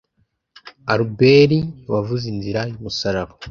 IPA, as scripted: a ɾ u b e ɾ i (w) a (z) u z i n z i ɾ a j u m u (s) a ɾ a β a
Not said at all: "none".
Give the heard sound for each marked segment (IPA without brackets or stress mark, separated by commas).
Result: w, v, s